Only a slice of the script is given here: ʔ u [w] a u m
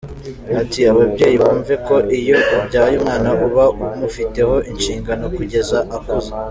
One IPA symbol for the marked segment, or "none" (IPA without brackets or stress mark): β